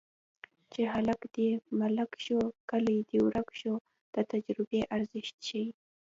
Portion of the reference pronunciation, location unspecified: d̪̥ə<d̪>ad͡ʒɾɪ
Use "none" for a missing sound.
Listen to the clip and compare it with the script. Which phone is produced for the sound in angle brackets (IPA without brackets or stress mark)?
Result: t̪